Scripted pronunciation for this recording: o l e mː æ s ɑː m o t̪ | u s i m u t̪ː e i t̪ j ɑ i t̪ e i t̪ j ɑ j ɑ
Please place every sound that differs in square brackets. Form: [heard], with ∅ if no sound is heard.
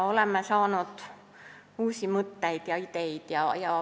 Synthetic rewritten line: o l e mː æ s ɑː [n] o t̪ | [uː] s i m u t̪ː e i t̪ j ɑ i t̪ e i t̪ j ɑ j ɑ